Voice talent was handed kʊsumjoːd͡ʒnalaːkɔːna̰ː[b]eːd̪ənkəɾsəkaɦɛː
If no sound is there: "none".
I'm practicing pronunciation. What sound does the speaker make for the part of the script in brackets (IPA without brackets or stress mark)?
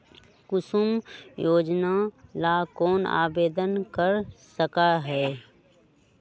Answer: b